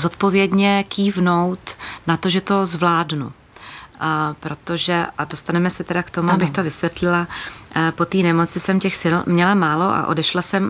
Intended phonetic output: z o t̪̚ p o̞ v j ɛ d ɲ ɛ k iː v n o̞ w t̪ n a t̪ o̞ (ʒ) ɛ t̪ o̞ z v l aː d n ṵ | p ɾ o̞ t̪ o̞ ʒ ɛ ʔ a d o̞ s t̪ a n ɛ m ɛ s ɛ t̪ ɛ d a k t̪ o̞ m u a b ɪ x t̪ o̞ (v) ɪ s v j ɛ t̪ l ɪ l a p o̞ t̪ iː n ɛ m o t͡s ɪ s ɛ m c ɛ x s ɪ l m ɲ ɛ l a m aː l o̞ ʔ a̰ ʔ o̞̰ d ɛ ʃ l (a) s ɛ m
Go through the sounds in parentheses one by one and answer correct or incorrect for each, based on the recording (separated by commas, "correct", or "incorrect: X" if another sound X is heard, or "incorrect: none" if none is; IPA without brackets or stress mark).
correct, correct, correct